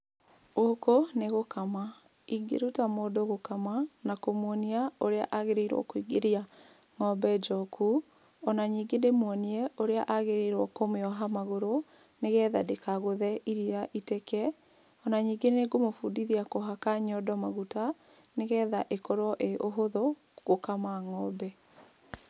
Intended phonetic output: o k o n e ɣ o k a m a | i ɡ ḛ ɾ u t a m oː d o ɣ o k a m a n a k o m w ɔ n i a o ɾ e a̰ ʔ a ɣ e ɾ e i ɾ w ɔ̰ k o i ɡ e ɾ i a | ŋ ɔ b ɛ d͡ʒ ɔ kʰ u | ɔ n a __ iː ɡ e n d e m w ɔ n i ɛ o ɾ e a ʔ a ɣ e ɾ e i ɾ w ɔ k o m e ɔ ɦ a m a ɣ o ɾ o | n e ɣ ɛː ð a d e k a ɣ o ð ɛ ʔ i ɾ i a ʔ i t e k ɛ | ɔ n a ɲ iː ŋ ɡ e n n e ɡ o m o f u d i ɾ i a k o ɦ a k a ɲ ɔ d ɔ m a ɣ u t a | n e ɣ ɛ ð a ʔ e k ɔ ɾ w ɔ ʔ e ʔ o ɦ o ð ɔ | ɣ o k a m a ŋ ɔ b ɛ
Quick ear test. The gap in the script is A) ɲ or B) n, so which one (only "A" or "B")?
A